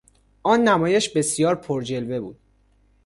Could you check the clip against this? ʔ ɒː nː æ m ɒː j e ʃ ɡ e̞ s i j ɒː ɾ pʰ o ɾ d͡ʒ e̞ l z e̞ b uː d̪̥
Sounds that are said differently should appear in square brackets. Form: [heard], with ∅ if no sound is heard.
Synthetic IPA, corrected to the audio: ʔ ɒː nː æ m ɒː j e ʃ [b] e̞ s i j ɒː ɾ pʰ o ɾ d͡ʒ e̞ l [v] e̞ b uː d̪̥